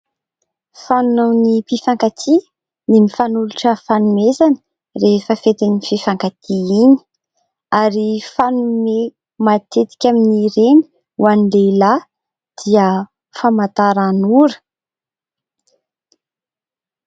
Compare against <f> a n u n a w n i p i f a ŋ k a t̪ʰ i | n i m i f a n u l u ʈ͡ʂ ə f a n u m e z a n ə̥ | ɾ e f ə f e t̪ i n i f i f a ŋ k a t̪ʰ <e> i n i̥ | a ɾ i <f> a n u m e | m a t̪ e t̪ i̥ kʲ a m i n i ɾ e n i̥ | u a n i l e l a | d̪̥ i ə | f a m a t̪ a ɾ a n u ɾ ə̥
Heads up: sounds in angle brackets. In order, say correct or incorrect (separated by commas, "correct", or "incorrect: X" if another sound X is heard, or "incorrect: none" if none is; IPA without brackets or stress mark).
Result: correct, incorrect: i, correct